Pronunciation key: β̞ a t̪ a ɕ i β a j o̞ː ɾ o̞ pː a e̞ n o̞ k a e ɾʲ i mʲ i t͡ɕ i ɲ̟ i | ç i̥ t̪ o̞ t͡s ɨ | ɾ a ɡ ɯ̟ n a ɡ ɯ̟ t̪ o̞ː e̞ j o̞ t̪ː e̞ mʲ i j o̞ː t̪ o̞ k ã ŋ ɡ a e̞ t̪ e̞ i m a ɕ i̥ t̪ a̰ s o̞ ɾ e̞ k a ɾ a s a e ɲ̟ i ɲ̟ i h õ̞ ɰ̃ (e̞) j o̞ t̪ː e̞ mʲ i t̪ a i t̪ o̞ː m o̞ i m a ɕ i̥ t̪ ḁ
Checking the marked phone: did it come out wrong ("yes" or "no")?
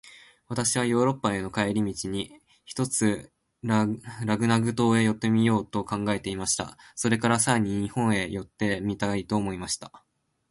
no